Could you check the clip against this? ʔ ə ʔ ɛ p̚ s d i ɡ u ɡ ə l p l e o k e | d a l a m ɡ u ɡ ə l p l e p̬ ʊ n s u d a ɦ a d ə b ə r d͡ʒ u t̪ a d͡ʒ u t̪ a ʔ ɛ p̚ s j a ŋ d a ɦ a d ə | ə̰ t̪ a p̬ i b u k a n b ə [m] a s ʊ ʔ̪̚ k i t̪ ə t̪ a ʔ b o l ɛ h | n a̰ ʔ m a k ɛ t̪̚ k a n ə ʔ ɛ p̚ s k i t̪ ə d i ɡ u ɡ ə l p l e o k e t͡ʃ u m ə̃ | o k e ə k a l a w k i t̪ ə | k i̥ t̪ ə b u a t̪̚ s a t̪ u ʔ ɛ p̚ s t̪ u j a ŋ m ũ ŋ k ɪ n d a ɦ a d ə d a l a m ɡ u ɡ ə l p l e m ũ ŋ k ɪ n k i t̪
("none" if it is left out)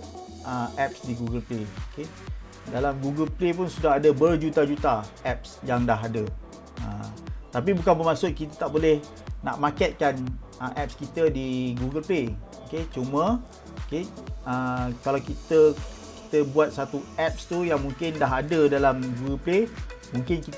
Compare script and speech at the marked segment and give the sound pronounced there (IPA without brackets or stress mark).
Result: m